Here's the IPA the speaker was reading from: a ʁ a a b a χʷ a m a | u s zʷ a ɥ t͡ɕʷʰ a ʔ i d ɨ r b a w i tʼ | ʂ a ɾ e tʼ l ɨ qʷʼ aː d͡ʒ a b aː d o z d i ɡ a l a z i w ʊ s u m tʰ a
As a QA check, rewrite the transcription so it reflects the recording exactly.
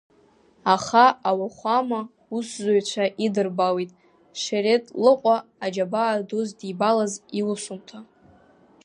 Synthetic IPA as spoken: a χ a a w a χʷ a m a | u s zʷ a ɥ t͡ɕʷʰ a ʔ i d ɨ r b a w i tʼ | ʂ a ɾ e tʼ l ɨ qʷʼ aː d͡ʒ a b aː d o z d i b a l a z i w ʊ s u m tʰ a